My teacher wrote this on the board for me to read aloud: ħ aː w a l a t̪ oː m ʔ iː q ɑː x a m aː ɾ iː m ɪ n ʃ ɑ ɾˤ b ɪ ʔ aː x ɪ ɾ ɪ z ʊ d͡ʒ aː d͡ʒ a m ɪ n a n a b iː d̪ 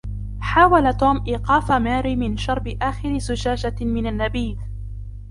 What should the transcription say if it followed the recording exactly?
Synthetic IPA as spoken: ħ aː w a l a t̪ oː m ʔ iː q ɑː f a m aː ɾ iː m ɪ n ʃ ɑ ɾˤ b ɪ ʔ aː x ɪ ɾ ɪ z ʊ d͡ʒ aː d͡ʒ a m ɪ n a nː a b iː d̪